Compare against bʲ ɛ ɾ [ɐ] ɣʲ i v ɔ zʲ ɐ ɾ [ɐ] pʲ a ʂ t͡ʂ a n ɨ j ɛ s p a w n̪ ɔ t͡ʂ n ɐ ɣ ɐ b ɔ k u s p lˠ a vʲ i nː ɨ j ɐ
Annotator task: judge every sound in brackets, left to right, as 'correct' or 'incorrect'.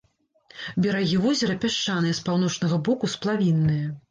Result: incorrect: a, correct

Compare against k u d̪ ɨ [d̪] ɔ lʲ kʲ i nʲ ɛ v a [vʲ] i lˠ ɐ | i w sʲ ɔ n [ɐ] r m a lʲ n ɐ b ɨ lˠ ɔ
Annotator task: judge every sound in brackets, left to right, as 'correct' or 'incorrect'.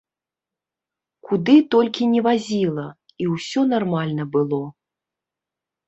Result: incorrect: t̪, incorrect: zʲ, incorrect: a

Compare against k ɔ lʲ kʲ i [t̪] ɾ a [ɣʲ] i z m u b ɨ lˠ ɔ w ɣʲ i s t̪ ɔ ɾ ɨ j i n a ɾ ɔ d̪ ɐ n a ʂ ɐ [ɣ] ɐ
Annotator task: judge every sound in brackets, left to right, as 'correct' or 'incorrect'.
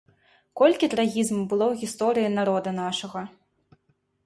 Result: correct, correct, correct

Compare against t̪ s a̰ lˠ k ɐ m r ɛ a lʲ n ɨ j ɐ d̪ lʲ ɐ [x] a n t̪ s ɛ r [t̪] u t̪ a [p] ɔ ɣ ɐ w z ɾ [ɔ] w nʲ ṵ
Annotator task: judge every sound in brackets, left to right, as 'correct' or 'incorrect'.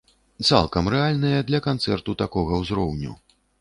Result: incorrect: k, correct, incorrect: k, correct

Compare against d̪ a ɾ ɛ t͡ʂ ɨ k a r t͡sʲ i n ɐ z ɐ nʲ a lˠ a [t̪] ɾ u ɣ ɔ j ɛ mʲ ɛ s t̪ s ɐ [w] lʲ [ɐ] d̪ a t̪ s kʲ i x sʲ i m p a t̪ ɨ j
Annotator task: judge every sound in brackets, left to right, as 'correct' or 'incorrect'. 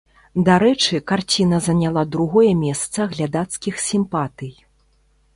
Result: incorrect: d̪, incorrect: ɣ, incorrect: a

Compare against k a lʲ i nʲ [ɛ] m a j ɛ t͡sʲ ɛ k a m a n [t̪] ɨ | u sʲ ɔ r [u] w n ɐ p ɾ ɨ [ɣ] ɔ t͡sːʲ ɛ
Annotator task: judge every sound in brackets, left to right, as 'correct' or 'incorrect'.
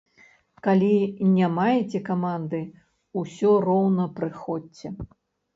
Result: incorrect: a, incorrect: d̪, incorrect: ɔ, incorrect: x

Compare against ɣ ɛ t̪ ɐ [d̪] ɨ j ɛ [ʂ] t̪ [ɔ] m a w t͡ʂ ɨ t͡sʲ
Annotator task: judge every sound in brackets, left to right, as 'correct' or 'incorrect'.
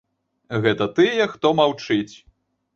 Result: incorrect: t̪, incorrect: x, correct

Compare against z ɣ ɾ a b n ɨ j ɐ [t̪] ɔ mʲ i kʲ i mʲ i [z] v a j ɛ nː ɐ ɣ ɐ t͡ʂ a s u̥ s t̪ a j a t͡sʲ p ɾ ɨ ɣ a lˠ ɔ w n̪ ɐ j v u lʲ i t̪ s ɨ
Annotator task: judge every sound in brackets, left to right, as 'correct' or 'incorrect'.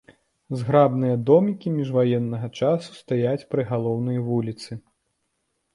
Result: incorrect: d̪, incorrect: ʐ

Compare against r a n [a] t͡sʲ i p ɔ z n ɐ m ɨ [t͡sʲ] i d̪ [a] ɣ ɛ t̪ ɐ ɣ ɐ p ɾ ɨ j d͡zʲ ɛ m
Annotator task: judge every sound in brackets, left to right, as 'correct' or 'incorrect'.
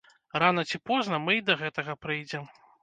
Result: incorrect: ɐ, incorrect: none, incorrect: ɐ

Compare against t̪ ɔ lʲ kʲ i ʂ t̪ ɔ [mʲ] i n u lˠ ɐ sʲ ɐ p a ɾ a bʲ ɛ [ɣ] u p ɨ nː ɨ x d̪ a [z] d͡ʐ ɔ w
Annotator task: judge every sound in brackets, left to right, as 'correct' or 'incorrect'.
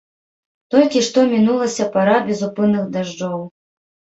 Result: correct, incorrect: z, incorrect: ʐ

